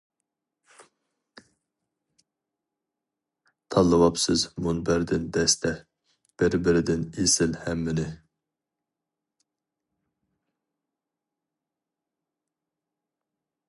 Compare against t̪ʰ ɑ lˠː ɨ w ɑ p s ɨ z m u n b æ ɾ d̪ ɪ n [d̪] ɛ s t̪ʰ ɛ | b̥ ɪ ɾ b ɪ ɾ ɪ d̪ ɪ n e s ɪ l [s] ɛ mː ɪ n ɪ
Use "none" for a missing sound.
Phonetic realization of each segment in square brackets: d̪, h

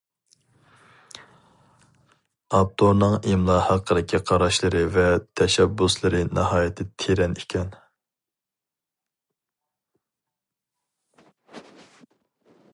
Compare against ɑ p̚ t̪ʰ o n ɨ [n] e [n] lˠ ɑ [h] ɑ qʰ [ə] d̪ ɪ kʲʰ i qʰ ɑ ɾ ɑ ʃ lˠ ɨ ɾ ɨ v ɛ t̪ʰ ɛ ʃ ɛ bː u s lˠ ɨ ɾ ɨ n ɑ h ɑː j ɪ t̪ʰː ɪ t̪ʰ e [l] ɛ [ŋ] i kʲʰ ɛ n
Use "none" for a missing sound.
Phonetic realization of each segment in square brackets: ŋ, m, h, ə, ɾ, n

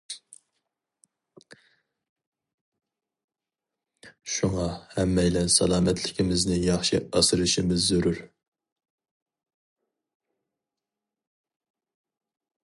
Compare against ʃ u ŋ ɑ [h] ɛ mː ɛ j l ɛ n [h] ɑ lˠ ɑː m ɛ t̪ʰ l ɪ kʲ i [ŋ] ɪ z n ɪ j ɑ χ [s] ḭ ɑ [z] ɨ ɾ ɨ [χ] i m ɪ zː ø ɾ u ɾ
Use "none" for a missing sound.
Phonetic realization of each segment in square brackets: h, s, m, ʃ, s, ʃ

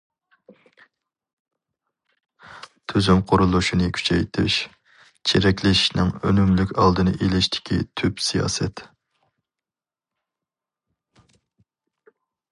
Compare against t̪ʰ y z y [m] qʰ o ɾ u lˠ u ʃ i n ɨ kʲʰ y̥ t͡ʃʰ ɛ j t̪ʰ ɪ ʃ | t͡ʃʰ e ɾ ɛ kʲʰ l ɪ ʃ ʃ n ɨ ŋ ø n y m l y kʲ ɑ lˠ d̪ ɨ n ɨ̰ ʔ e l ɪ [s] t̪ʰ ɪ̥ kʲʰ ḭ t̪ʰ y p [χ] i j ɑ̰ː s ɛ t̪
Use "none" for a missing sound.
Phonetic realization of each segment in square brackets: m, ʃ, s

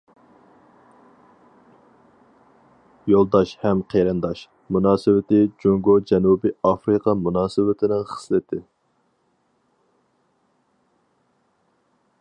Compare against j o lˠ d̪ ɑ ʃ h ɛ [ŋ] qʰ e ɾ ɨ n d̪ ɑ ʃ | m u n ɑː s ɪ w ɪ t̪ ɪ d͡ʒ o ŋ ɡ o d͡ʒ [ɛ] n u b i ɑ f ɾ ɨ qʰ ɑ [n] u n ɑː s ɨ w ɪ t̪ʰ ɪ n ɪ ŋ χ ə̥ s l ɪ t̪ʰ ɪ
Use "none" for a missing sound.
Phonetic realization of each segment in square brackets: m, ɛ, m

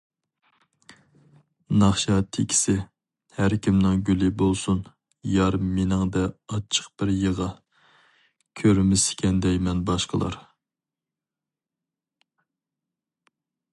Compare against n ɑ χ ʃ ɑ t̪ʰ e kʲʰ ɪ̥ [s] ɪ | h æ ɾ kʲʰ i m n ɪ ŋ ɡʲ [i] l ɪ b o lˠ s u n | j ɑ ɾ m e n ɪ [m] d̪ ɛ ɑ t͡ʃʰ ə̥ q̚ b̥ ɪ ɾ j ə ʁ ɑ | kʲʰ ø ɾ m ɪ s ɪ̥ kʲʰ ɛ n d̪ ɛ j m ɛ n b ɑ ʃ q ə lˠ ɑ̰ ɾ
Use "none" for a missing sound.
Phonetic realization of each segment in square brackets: s, y, ŋ

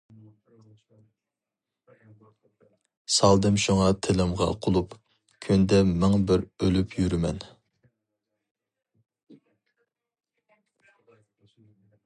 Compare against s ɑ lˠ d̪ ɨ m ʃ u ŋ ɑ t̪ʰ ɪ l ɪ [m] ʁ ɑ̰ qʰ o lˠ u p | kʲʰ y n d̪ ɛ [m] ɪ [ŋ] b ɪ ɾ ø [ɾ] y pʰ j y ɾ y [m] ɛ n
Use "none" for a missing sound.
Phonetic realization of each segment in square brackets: m, m, ŋ, l, m

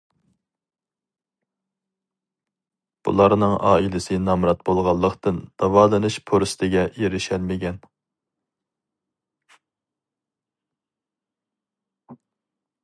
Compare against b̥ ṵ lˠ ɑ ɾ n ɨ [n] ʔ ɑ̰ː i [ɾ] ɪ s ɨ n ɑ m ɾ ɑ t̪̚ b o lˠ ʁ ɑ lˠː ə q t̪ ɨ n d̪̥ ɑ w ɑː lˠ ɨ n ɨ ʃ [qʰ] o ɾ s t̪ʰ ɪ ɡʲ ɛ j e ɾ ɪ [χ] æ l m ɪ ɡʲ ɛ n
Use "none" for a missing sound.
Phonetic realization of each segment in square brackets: ŋ, l, pʰ, ʃ

